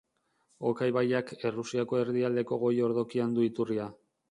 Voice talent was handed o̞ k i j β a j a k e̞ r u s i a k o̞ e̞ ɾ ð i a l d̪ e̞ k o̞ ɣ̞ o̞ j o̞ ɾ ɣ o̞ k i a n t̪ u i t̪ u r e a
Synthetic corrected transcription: o̞ k a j β a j a k e̞ r u s i a k o̞ e̞ ɾ ð i a l d̪ e̞ k o̞ ɣ̞ o̞ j o̞ ɾ ð o̞ k i a n d̪ u i t̪ u r i a